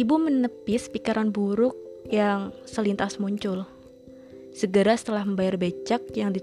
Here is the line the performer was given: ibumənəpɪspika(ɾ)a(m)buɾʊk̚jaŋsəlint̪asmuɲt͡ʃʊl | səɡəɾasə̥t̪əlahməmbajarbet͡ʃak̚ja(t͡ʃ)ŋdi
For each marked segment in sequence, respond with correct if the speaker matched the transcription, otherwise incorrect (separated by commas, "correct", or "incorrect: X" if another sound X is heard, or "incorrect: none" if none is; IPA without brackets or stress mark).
correct, incorrect: n, incorrect: none